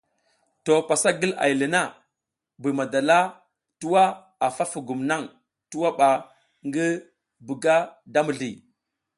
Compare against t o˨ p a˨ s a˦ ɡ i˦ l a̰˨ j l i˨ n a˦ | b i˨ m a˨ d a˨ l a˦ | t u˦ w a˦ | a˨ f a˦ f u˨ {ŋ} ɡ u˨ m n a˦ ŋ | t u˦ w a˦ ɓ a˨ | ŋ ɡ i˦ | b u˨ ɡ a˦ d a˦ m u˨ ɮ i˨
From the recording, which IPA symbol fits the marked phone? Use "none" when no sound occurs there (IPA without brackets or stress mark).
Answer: none